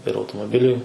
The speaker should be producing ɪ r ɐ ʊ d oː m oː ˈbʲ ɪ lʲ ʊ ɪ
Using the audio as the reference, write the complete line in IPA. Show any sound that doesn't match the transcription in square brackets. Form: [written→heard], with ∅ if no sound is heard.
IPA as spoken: ɪ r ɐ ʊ [d→t] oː m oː ˈbʲ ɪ lʲ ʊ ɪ

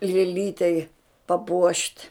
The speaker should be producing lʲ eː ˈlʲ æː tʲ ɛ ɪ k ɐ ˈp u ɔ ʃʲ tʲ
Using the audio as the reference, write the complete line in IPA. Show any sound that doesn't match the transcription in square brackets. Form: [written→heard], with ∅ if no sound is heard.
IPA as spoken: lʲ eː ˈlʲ [æː→iː] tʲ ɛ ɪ [k→p] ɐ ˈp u ɔ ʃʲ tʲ

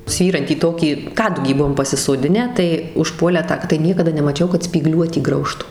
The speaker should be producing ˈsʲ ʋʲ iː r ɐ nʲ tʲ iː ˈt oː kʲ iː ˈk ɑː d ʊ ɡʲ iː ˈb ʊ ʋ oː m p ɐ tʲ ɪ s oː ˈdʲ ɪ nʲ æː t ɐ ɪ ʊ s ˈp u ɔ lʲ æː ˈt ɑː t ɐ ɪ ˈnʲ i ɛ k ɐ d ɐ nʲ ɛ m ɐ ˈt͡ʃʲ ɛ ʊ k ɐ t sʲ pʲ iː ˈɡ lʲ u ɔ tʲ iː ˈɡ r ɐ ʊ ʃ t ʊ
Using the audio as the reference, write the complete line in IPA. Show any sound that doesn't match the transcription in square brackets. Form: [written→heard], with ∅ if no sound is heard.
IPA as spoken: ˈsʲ ʋʲ iː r ɐ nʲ tʲ iː ˈt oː kʲ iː ˈk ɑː d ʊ ɡʲ iː ˈb ʊ ʋ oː m p ɐ [tʲ→sʲ] ɪ s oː ˈdʲ ɪ nʲ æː t ɐ ɪ ʊ [s→ʃ] ˈp u ɔ lʲ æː ˈt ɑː t ɐ ɪ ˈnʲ i ɛ k ɐ d ɐ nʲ ɛ m ɐ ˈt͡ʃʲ ɛ ʊ k ɐ t sʲ pʲ iː ˈɡ lʲ u ɔ tʲ iː ˈɡ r ɐ ʊ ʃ t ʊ

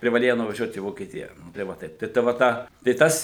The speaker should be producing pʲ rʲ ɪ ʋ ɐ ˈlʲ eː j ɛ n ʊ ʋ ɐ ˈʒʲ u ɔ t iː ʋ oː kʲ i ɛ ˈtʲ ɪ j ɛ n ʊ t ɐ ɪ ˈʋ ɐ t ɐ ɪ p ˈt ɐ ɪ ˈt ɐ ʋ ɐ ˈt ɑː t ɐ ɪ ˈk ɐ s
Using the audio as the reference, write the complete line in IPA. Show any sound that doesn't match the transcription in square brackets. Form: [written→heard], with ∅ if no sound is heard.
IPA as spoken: pʲ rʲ ɪ ʋ ɐ ˈlʲ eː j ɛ n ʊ ʋ ɐ ˈʒʲ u ɔ t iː ʋ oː kʲ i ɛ ˈtʲ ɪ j ɛ n ʊ t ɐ ɪ ˈʋ ɐ t ɐ ɪ p ˈt ɐ ɪ ˈt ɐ ʋ ɐ ˈt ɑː t ɐ ɪ [ˈk→ˈt] ɐ s

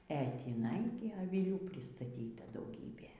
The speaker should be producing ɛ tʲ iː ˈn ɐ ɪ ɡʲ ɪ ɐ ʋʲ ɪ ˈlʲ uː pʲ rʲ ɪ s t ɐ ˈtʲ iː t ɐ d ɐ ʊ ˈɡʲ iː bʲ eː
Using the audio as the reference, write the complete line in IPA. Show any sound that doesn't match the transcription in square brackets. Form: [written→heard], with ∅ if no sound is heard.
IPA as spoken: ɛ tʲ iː ˈn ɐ ɪ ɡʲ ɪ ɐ ʋʲ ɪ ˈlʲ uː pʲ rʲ ɪ s t ɐ ˈtʲ iː t ɐ d ɐ ʊ ˈɡʲ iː bʲ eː

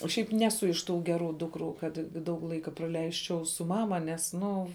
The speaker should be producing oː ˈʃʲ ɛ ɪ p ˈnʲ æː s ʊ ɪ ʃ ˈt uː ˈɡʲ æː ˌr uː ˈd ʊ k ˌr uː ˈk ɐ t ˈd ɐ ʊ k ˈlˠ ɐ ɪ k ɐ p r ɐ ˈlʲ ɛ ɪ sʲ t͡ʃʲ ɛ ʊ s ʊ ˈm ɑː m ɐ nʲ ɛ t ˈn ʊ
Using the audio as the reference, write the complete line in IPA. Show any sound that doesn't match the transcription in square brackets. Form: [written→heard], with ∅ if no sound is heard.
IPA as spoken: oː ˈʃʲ ɛ ɪ p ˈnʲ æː s ʊ ɪ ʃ ˈt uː ˈɡʲ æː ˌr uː ˈd ʊ k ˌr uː ˈk ɐ t ˈd ɐ ʊ k ˈlˠ ɐ ɪ k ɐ p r ɐ ˈlʲ ɛ ɪ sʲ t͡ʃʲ ɛ ʊ s ʊ ˈm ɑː m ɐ nʲ ɛ [t→s] ˈn ʊ

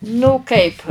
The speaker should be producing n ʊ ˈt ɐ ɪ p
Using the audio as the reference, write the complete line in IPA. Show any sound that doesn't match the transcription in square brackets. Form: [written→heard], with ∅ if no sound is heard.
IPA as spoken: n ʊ [ˈt→ˈk] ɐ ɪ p

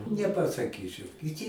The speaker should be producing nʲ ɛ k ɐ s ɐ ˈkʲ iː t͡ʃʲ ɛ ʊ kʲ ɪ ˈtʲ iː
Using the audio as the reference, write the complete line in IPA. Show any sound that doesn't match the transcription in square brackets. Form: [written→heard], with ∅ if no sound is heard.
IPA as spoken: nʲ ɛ [k→p] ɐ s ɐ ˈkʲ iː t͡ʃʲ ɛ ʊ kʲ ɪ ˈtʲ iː

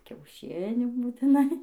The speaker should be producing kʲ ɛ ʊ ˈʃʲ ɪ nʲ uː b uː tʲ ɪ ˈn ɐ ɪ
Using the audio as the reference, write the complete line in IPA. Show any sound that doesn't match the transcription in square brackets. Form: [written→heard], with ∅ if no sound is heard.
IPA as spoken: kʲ ɛ ʊ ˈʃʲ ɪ nʲ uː b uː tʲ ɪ ˈn ɐ ɪ

